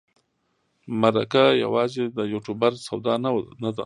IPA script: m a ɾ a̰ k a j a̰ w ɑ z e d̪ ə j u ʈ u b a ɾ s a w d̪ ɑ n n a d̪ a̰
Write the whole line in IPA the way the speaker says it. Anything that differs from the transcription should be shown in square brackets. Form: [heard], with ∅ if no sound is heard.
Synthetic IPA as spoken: m a ɾ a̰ k a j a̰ w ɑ z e d̪ ə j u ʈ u b a ɾ s a w d̪ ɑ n n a d̪ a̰